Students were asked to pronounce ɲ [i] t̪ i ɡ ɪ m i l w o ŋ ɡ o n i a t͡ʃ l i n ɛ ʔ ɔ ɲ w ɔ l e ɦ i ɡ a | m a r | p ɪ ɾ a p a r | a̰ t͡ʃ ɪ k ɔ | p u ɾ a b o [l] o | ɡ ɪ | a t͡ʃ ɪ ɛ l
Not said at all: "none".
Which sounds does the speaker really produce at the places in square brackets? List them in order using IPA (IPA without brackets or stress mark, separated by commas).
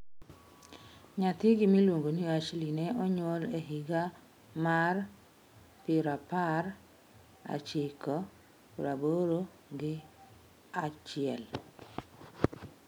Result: a, ɾ